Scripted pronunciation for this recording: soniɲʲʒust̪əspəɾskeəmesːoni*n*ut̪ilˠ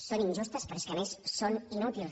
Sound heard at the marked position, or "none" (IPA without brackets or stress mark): n